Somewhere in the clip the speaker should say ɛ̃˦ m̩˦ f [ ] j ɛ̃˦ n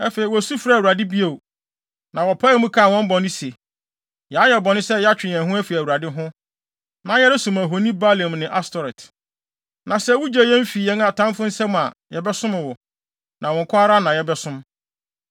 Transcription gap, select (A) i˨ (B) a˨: A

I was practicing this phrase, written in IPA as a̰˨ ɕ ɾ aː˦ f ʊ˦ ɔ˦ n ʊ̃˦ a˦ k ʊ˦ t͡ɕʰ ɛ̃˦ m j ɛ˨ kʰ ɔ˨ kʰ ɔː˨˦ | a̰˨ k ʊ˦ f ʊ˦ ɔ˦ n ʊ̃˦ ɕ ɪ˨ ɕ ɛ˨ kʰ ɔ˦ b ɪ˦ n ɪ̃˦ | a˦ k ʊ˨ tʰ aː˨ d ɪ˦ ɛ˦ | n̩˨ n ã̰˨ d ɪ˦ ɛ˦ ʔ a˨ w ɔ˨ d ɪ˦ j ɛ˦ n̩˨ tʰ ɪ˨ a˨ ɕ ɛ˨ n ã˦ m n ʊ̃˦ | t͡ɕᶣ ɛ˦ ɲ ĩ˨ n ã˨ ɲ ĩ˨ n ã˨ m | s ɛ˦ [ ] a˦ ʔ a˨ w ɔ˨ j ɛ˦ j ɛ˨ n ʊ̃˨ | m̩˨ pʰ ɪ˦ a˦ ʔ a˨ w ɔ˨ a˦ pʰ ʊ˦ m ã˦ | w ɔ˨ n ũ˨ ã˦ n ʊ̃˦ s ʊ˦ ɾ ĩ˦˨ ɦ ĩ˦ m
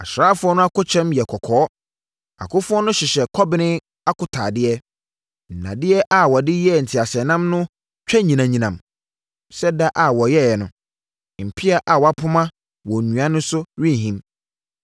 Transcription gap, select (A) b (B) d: B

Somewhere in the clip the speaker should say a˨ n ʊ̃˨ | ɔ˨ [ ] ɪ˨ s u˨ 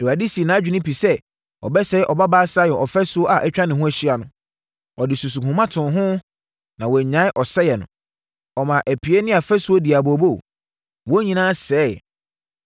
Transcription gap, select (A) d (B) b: A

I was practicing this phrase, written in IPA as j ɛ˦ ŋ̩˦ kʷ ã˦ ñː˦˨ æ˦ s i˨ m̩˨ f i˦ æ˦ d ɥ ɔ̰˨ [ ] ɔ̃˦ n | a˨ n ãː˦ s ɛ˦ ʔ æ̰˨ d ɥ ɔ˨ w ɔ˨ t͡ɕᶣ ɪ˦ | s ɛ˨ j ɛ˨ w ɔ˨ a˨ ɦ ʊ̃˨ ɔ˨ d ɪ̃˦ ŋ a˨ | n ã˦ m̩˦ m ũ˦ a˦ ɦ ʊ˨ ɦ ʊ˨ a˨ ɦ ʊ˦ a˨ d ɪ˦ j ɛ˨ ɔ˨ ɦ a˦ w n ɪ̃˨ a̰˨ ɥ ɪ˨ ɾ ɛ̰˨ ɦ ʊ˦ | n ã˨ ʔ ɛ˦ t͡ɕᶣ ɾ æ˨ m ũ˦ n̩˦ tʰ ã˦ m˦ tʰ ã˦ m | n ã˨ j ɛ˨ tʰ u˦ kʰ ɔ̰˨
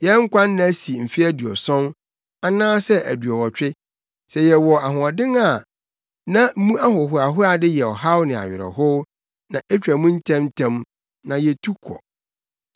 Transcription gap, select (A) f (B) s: B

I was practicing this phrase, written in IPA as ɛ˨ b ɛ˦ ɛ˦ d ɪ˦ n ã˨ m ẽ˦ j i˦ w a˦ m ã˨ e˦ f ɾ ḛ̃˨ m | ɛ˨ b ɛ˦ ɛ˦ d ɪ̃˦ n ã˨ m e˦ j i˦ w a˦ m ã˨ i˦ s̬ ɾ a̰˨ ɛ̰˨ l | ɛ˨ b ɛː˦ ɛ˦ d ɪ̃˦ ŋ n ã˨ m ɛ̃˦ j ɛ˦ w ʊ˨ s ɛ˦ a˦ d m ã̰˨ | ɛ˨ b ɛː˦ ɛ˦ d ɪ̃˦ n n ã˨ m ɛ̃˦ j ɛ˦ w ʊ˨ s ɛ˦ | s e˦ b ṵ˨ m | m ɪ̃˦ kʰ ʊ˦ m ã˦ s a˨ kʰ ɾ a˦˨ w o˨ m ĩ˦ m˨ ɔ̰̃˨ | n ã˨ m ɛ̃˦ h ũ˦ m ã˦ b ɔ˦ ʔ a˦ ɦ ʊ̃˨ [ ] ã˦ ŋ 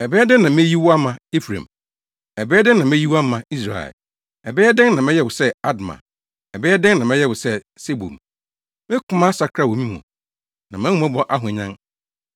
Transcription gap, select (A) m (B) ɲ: B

